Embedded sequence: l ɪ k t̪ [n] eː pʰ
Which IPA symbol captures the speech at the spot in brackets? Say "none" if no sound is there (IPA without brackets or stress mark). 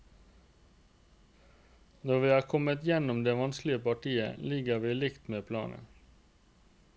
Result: m